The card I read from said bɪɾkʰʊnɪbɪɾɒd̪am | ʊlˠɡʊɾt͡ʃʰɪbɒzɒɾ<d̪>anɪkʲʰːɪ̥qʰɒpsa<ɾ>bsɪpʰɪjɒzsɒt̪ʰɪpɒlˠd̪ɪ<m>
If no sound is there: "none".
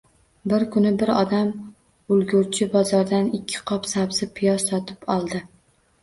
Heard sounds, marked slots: d̪, none, none

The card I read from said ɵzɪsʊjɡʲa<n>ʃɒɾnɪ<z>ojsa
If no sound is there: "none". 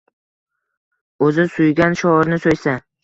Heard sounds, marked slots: n, s

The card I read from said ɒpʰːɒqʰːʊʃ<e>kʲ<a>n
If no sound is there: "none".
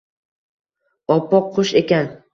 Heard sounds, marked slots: e, a

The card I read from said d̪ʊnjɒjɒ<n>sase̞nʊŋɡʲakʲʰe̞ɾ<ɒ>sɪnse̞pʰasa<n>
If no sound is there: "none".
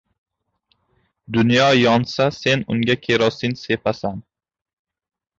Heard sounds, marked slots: n, ɒ, n

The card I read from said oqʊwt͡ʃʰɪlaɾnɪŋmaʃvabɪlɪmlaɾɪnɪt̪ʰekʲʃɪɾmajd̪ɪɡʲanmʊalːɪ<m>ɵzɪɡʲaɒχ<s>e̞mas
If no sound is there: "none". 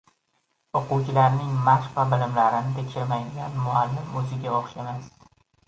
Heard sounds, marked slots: m, ʃ

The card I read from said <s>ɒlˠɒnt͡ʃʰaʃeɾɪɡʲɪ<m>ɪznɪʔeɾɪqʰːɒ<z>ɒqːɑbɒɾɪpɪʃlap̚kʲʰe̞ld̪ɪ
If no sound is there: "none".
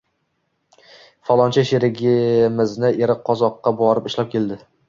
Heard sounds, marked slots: f, m, z

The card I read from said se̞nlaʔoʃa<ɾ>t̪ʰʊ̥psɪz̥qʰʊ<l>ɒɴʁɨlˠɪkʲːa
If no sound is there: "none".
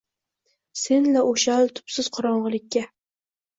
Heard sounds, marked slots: l, ɾ

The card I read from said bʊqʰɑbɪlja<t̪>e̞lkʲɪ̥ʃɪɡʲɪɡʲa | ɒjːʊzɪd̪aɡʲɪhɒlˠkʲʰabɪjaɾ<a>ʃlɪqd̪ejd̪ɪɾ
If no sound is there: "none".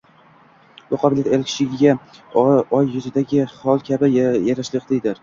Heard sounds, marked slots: t̪, a

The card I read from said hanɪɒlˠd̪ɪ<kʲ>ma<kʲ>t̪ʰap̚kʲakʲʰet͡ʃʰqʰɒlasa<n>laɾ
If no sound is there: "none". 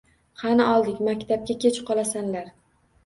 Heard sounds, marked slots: kʲ, kʲ, n

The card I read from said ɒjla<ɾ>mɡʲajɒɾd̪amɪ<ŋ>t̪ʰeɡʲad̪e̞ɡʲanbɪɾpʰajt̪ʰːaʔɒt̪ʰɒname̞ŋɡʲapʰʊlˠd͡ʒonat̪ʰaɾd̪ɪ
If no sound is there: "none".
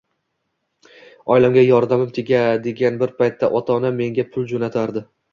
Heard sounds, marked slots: none, m

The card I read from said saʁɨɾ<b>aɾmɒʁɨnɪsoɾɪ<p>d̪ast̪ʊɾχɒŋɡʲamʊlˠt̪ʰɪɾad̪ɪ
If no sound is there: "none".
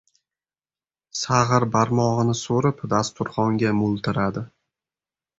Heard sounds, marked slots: b, p

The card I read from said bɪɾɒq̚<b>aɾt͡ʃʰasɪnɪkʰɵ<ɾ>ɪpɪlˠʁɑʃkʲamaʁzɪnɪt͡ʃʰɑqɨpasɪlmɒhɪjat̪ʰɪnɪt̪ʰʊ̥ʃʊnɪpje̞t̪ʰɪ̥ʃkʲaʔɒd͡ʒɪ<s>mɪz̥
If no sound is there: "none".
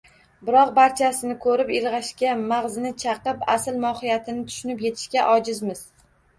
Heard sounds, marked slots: b, ɾ, z

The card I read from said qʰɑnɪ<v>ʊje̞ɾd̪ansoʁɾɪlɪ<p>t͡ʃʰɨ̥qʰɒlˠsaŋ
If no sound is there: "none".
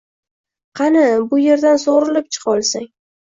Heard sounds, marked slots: b, p

